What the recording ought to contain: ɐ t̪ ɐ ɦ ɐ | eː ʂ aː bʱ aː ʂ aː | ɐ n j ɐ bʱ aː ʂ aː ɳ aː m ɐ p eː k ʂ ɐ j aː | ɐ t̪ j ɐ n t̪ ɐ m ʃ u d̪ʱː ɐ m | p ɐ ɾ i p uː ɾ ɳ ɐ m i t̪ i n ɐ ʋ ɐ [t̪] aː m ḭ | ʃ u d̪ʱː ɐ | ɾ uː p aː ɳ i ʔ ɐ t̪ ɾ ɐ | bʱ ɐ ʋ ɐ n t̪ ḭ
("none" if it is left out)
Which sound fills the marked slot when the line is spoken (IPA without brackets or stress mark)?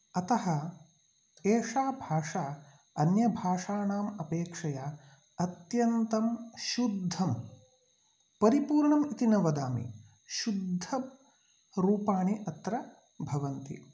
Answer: d̪